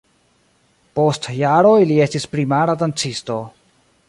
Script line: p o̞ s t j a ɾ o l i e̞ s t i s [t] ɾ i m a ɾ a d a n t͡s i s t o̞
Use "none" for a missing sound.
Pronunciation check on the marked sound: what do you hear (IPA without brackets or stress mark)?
p